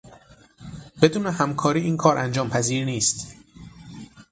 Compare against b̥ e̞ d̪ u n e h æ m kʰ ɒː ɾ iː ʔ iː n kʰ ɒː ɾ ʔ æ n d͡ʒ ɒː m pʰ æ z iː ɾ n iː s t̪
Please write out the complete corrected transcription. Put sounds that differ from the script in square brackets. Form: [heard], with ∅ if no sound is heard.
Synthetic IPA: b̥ e̞ d̪ [uː] n e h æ m kʰ ɒː ɾ iː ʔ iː n kʰ ɒː ɾ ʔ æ n d͡ʒ ɒː m pʰ æ z iː ɾ n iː s t̪